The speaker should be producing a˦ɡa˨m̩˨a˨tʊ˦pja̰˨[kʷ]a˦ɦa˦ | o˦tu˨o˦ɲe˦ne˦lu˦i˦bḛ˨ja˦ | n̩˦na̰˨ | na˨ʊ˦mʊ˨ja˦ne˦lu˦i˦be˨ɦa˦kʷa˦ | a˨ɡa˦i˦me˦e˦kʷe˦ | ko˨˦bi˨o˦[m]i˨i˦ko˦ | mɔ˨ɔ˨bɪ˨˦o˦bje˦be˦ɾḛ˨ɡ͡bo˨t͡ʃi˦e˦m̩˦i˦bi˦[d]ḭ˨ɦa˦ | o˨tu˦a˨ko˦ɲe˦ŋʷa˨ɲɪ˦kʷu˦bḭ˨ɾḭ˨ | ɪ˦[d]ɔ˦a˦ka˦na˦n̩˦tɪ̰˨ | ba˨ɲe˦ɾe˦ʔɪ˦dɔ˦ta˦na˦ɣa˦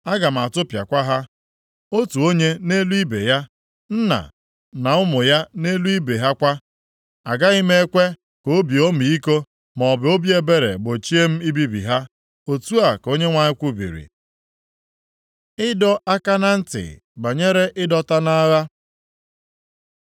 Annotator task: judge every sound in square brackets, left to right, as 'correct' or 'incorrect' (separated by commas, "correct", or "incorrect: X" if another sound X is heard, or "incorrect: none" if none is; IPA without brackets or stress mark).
correct, correct, incorrect: b, correct